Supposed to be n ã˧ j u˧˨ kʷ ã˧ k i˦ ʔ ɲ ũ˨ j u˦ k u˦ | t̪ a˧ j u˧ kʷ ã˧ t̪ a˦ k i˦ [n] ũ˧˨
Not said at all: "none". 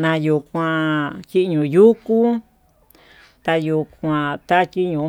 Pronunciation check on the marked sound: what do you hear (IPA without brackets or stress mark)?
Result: ɲ